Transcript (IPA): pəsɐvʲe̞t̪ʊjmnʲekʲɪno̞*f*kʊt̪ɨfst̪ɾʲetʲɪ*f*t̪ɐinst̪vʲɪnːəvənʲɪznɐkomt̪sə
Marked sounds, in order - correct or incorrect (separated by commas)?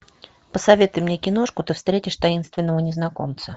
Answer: incorrect, incorrect